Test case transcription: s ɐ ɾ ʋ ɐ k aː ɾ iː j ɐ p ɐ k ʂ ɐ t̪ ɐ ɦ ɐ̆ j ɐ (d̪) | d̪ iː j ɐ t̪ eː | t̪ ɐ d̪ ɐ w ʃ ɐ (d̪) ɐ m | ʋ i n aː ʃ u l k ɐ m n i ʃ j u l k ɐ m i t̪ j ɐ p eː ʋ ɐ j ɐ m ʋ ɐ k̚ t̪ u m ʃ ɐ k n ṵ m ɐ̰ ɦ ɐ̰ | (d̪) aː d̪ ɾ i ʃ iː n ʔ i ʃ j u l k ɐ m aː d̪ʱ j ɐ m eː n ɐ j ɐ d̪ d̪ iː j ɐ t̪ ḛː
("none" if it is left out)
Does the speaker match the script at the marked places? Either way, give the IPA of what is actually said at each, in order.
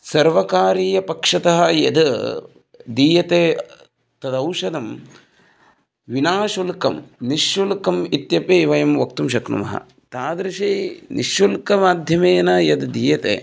d̪, d̪, t̪

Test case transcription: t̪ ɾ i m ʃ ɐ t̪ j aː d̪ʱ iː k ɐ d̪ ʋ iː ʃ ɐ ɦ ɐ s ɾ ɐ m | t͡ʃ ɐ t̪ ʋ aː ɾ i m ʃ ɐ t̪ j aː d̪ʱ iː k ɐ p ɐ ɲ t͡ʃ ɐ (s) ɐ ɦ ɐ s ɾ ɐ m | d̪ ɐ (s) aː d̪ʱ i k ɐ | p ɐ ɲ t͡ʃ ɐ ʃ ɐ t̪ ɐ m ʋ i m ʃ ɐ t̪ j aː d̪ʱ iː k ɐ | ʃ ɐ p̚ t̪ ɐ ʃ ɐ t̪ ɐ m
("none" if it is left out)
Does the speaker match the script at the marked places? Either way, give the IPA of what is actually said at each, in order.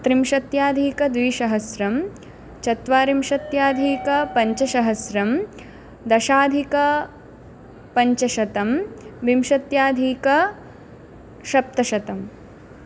ʃ, ʃ

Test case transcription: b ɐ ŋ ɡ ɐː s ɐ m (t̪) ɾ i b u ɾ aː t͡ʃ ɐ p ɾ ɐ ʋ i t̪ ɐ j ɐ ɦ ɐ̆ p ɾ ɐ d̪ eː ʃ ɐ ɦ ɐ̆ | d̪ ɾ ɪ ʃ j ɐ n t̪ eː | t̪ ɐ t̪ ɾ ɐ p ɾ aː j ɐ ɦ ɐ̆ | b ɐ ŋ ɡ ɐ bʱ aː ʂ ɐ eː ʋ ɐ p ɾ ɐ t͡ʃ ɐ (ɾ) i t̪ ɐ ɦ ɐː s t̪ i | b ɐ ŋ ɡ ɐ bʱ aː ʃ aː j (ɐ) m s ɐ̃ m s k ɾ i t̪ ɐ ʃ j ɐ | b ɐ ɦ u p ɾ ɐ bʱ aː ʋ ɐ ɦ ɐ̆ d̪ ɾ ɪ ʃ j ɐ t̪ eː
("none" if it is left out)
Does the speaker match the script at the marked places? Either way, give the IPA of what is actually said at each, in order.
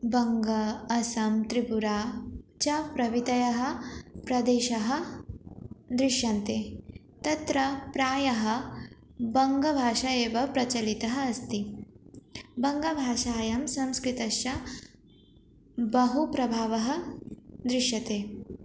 t̪, l, ɐ

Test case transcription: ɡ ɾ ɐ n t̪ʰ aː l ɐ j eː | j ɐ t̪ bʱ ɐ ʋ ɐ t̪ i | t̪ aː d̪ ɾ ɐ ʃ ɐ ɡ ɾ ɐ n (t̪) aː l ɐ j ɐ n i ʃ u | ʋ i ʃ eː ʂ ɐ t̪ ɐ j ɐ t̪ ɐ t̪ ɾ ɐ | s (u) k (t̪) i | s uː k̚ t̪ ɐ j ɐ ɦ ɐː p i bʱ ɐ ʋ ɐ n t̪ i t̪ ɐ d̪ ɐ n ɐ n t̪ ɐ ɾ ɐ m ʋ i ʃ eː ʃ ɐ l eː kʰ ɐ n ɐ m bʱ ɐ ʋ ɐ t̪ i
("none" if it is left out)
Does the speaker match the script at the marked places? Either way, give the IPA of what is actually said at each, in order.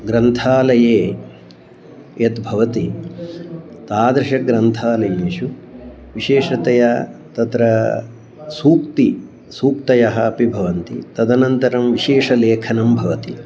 t̪ʰ, uː, t̪

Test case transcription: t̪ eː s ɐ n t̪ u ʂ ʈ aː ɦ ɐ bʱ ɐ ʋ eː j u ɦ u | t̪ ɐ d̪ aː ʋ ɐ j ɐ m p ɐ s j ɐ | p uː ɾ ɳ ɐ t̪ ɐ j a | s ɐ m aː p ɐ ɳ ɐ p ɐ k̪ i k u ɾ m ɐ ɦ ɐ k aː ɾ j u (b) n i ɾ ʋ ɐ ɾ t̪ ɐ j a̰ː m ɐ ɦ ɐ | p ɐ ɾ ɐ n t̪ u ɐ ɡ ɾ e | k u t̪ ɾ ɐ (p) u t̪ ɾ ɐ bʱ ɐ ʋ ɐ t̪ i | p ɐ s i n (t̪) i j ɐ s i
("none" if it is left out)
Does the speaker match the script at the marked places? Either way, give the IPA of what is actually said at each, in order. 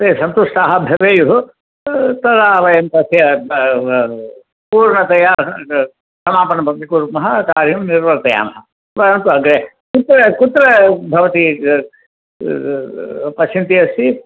m, k, t̪

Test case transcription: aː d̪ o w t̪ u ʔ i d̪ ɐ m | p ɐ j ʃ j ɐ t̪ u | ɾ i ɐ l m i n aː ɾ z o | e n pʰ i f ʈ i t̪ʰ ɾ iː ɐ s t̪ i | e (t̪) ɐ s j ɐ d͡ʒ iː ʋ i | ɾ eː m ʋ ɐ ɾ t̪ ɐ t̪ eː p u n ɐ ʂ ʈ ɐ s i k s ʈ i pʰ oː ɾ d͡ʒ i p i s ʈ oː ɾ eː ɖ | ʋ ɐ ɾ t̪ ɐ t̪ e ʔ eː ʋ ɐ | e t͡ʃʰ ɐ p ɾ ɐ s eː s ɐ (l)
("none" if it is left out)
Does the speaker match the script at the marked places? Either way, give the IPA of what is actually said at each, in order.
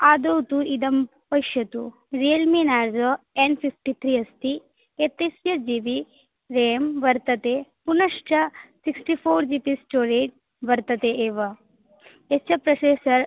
t̪, ɾ

